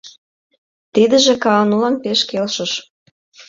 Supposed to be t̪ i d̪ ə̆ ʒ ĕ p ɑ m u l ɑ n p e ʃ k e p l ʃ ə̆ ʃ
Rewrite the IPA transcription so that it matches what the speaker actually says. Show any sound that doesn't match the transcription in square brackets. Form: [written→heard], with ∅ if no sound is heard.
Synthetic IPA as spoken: t̪ i d̪ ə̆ ʒ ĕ [p→k] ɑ [m→n] u l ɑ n p e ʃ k e [p→∅] l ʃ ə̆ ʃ